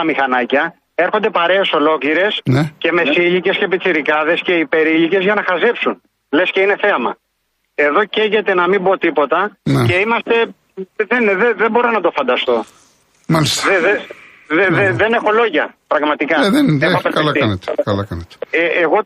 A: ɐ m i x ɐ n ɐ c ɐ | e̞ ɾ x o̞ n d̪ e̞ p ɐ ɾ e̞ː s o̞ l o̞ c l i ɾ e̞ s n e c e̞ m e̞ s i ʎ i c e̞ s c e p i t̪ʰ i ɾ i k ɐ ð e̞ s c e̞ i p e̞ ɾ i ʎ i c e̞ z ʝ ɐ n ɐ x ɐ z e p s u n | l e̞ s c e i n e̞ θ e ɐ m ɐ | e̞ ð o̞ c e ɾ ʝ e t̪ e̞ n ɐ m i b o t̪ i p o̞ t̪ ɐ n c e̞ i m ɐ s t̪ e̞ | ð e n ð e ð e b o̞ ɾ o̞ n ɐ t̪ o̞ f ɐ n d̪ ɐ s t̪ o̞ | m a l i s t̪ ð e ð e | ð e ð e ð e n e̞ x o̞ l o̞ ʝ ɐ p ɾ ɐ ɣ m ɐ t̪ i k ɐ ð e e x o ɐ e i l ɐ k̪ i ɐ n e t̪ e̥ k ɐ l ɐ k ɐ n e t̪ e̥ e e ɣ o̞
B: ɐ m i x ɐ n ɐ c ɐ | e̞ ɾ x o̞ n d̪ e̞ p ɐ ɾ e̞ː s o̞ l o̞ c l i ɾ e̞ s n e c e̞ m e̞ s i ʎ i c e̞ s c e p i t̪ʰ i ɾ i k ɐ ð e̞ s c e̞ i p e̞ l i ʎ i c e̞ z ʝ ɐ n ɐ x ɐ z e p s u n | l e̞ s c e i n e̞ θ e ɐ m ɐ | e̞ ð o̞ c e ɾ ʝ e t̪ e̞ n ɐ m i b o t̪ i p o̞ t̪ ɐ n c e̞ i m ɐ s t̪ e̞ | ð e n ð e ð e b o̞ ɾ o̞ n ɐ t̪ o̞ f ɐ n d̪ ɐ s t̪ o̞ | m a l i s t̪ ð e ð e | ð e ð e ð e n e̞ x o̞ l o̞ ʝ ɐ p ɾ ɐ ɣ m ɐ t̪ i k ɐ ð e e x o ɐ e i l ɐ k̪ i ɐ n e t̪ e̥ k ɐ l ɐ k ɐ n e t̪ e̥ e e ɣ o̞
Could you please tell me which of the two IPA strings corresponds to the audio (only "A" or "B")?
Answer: A